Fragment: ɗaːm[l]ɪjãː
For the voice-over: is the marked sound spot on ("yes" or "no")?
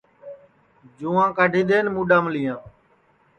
yes